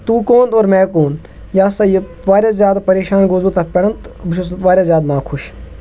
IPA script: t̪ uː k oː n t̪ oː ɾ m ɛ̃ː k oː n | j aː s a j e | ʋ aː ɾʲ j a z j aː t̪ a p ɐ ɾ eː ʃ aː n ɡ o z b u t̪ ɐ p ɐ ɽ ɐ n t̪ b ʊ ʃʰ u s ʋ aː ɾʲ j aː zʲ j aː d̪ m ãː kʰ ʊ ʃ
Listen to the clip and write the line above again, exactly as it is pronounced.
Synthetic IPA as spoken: t̪ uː k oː n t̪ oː ɾ m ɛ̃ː k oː n | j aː s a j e | ʋ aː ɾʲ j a z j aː d̪ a p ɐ ɾ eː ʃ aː n ɡ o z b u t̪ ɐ p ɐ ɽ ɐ n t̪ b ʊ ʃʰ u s ʋ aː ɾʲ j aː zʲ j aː d̪ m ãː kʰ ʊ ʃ